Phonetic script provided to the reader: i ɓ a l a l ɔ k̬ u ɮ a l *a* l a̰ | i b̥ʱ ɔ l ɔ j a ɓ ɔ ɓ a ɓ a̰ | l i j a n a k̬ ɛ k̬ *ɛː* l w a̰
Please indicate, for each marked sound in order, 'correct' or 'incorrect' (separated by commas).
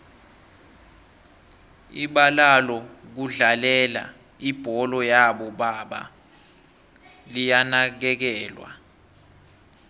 incorrect, correct